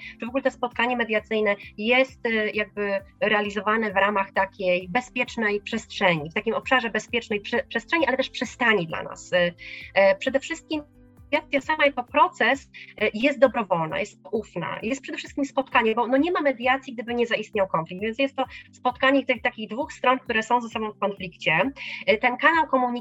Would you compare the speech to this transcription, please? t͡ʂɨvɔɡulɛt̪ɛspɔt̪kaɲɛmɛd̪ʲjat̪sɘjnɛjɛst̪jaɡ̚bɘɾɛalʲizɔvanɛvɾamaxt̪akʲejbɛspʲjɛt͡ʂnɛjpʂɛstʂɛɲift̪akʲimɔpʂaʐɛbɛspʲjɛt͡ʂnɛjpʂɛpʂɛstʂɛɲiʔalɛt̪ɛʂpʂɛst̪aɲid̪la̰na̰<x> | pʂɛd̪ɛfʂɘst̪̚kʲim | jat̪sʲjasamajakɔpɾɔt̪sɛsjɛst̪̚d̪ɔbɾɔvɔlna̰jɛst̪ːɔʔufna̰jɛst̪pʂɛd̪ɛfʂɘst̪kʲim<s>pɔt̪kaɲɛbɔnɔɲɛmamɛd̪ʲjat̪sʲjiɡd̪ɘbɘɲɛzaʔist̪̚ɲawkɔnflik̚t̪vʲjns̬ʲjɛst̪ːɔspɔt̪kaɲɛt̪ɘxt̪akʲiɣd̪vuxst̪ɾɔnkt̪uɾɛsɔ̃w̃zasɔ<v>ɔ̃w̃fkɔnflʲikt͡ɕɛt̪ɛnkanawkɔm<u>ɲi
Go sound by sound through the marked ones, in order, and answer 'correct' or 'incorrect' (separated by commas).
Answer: incorrect, correct, incorrect, correct